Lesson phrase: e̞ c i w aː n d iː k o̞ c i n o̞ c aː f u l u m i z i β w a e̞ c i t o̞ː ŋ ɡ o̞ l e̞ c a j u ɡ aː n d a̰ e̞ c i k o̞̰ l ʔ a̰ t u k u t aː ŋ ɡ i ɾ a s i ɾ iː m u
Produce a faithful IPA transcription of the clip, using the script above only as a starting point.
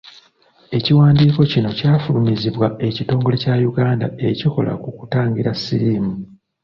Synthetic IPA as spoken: e̞ c i w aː n d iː k o̞ c i n o̞ c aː f u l u m i z i β w a e̞ c i t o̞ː ŋ ɡ o̞ l e̞ c a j u ɡ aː n d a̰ e̞ c i k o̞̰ l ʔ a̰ k u k u t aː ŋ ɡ i ɾ a s i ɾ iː m u